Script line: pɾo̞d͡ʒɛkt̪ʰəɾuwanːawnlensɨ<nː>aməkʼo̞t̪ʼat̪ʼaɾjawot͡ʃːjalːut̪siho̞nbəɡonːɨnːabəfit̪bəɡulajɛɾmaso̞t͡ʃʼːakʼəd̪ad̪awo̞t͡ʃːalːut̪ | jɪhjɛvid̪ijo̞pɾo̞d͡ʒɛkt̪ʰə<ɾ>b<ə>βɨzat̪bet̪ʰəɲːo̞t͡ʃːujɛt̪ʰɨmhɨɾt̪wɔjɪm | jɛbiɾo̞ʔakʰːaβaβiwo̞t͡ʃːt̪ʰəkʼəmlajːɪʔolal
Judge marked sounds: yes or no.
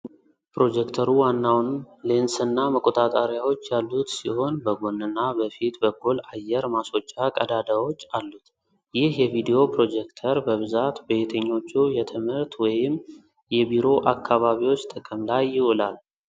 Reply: yes, yes, yes

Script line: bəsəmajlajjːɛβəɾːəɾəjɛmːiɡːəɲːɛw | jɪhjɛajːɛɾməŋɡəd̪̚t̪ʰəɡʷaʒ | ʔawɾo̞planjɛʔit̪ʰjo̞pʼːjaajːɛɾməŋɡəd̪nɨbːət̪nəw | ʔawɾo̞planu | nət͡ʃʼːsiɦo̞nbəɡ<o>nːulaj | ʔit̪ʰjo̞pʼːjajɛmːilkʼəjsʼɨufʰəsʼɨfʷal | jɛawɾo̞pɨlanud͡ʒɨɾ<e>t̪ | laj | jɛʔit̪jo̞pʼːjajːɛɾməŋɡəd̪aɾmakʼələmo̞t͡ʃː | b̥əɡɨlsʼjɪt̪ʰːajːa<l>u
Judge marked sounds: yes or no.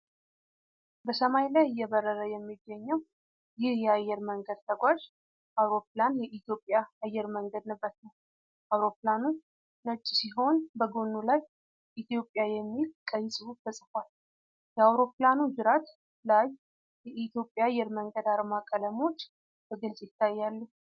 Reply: yes, no, no

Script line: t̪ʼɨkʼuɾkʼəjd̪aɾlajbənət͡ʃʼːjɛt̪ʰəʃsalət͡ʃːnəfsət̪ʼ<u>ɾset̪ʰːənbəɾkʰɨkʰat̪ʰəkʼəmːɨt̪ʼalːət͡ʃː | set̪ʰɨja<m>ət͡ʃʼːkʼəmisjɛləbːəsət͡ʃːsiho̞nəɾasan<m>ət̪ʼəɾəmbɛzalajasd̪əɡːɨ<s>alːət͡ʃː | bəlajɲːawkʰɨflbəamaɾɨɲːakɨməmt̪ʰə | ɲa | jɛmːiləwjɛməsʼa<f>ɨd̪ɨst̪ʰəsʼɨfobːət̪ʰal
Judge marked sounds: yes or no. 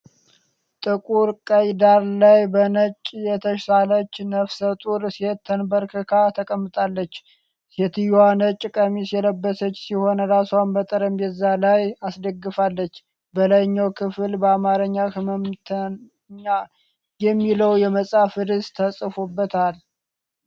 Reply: yes, no, no, no, yes

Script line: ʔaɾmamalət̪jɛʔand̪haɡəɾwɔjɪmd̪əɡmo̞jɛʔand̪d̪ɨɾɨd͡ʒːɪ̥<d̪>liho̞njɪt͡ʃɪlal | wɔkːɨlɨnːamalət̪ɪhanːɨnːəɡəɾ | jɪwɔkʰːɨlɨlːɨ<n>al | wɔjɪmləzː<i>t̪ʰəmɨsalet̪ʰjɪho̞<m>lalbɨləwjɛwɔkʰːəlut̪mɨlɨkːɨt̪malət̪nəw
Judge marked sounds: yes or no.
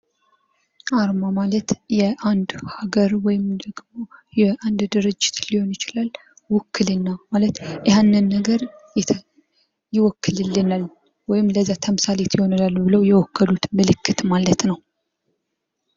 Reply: no, yes, no, no

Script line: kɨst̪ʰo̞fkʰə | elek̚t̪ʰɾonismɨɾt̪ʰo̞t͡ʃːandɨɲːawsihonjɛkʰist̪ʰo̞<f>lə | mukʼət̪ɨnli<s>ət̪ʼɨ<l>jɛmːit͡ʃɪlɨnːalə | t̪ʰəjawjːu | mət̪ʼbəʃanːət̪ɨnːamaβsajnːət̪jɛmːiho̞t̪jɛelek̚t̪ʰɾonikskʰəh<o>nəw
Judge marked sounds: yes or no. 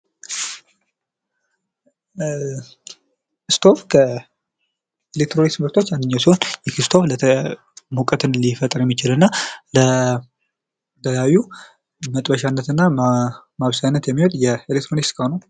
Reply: yes, no, no, yes

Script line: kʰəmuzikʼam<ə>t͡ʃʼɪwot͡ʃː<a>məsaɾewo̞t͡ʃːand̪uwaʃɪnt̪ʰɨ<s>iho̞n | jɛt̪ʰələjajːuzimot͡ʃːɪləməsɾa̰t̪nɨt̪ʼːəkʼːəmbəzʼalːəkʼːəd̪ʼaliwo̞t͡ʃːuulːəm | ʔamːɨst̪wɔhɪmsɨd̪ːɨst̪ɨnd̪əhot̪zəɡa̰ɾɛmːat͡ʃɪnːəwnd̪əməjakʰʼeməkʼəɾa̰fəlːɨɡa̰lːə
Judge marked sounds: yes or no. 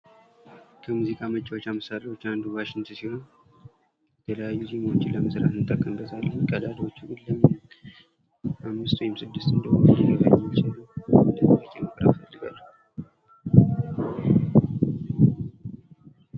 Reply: yes, yes, yes

